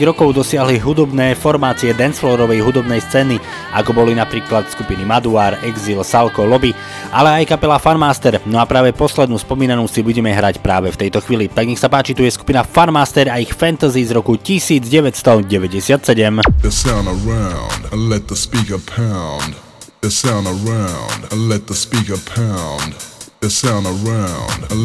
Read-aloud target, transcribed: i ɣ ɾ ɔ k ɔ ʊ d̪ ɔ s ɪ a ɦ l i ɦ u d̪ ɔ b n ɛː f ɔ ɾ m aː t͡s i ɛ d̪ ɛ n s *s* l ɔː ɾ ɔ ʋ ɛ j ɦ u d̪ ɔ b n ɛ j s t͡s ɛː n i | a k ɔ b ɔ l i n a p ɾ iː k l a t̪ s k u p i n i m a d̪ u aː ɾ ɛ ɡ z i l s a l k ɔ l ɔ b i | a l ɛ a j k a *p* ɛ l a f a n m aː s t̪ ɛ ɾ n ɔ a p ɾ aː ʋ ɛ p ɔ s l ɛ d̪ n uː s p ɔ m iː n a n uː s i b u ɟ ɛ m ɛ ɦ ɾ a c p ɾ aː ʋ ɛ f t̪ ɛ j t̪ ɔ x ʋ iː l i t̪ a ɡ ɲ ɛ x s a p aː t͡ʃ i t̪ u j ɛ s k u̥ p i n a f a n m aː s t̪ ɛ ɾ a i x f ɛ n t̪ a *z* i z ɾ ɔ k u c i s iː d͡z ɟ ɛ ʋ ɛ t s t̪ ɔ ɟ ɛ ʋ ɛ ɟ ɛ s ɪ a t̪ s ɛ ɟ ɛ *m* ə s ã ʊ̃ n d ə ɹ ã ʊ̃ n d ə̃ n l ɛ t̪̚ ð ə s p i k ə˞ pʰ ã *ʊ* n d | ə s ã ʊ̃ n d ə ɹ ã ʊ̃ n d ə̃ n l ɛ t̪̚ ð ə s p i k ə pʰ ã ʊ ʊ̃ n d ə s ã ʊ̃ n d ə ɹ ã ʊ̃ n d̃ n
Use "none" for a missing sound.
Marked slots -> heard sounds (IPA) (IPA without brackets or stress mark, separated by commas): f, p, z, m, ʊ̃